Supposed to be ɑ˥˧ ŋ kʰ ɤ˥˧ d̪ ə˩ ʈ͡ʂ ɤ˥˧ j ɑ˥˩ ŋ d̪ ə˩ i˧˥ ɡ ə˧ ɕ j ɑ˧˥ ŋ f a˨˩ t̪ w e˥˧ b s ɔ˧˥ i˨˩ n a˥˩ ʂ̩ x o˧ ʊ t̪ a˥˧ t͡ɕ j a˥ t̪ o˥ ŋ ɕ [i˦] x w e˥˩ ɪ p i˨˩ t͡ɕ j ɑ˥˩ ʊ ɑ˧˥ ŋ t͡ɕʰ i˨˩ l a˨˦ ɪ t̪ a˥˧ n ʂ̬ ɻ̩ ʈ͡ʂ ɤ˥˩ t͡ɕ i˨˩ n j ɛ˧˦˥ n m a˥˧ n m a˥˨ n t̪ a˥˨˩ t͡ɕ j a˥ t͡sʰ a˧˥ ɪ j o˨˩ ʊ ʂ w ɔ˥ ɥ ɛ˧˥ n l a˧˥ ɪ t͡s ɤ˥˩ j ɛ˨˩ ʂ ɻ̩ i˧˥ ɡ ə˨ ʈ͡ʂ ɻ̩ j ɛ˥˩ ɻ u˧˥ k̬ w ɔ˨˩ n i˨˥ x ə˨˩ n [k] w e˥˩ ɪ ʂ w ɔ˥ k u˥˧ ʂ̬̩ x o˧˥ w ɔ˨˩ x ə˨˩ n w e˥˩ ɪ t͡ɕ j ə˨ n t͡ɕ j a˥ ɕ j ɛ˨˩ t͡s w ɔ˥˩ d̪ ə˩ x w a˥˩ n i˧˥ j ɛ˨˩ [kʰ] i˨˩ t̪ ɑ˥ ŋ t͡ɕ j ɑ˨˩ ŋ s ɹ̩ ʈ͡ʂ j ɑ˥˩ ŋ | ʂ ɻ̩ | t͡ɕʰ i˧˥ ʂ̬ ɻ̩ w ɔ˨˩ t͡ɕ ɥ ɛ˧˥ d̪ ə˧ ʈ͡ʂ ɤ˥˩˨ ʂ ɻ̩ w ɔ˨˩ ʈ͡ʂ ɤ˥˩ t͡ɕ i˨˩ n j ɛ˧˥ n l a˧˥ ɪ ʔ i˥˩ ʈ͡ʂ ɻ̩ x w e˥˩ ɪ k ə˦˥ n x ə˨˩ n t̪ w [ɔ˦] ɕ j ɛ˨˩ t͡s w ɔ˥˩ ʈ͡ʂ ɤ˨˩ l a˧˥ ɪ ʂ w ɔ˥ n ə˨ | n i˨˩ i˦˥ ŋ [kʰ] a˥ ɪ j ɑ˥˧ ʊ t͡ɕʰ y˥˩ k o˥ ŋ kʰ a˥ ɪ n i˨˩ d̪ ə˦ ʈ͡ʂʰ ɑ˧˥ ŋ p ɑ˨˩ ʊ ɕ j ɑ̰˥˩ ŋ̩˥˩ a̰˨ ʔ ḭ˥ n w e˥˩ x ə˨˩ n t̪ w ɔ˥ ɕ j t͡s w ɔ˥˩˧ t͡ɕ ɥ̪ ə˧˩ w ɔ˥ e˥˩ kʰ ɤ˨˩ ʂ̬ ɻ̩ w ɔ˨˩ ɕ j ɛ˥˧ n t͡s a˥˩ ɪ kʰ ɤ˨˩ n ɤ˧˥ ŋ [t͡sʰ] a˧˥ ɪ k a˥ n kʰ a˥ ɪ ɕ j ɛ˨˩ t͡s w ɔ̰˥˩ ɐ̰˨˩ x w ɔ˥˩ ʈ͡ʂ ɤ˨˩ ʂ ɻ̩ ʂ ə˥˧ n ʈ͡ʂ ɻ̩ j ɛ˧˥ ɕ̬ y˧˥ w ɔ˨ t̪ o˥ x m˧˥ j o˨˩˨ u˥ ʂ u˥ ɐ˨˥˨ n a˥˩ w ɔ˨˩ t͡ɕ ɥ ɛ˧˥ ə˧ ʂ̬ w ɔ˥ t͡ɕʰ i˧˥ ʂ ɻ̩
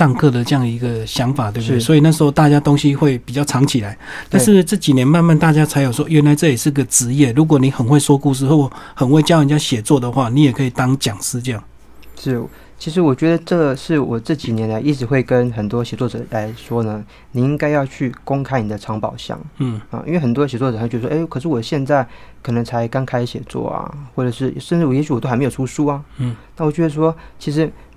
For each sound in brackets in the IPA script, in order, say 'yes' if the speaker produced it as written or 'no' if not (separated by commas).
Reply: yes, no, yes, yes, no, yes